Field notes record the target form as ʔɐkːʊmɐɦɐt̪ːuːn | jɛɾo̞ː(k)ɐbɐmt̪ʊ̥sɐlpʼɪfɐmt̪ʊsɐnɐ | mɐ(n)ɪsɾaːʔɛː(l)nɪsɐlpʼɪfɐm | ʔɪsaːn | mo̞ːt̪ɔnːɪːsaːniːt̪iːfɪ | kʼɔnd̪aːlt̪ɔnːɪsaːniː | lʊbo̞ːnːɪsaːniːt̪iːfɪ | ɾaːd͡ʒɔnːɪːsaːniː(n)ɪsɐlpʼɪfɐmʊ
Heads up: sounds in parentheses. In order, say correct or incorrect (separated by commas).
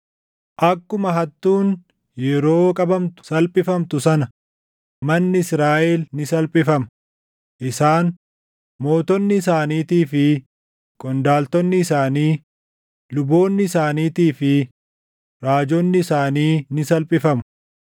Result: incorrect, incorrect, correct, correct